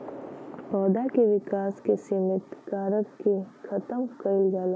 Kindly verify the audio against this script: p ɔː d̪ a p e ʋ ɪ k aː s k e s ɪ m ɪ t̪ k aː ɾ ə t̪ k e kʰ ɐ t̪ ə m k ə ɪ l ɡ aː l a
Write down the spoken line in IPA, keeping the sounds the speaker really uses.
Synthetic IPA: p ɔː d̪ a k e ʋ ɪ k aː s k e s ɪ m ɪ t̪ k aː ɾ ə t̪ k e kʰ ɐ t̪ ə m k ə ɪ l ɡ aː l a